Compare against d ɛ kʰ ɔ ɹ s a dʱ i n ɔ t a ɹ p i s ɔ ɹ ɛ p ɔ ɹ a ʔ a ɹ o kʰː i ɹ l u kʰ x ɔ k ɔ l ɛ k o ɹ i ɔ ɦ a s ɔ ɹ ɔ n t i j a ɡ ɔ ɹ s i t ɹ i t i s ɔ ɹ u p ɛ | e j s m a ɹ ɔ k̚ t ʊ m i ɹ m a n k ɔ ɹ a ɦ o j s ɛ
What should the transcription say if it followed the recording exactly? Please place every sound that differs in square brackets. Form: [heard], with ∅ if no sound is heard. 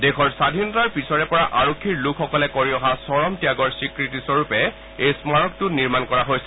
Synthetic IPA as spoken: d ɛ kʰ ɔ ɹ s a dʱ i n ɔ t a ɹ p i s ɔ ɹ ɛ p ɔ ɹ a ʔ a ɹ o kʰː i ɹ l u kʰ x ɔ k ɔ l ɛ k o ɹ i ɔ ɦ a s ɔ ɹ ɔ [m] t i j a ɡ ɔ ɹ s i [k] ɹ i t i s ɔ ɹ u p ɛ | e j s m a ɹ ɔ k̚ t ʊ [n] i ɹ m a n k ɔ ɹ a ɦ o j s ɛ